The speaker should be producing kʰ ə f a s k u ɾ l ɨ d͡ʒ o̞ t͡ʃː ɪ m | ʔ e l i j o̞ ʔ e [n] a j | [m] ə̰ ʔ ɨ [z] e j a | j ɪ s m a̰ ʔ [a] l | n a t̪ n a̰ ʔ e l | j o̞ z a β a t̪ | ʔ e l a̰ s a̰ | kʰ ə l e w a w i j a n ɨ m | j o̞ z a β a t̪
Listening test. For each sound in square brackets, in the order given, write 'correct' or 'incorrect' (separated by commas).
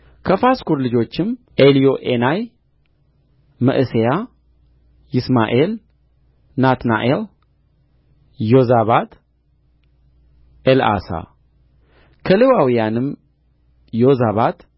correct, correct, incorrect, incorrect